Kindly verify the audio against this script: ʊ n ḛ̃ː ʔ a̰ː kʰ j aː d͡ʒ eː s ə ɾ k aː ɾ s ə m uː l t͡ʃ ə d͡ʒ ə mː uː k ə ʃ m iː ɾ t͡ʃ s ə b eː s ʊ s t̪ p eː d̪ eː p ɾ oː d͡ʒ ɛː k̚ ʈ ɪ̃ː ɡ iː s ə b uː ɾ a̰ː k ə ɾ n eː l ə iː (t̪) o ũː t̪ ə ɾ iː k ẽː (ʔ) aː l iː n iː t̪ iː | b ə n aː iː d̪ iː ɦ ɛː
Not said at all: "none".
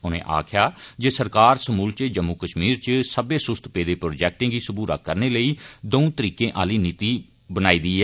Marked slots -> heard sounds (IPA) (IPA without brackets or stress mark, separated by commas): d̪, ʔ